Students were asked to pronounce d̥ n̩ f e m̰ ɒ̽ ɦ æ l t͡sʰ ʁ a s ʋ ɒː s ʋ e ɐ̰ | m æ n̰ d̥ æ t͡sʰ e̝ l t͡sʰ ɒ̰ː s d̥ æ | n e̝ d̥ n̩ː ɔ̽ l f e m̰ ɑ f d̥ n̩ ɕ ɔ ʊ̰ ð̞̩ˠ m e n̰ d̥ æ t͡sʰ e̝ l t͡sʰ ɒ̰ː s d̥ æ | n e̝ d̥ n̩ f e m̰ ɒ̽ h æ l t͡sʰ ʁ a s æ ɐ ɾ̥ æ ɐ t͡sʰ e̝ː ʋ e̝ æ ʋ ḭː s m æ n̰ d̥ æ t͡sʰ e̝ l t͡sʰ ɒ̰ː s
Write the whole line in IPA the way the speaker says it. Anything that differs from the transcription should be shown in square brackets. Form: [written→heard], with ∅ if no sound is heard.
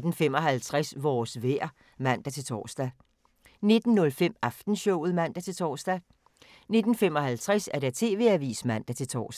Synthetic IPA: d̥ n̩ f e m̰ ɒ̽ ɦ æ l t͡sʰ ʁ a s ʋ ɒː s ʋ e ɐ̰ | m æ n̰ d̥ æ t͡sʰ e̝ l t͡sʰ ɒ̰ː s d̥ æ | n e̝ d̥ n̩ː ɔ̽ l f e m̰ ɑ f d̥ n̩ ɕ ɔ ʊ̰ ð̞̩ˠ m [e→æ] n̰ d̥ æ t͡sʰ e̝ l t͡sʰ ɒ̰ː s d̥ æ | n e̝ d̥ n̩ f e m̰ ɒ̽ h æ l t͡sʰ ʁ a s æ ɐ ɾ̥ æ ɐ t͡sʰ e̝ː ʋ e̝ æ ʋ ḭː s m æ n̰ d̥ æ t͡sʰ e̝ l t͡sʰ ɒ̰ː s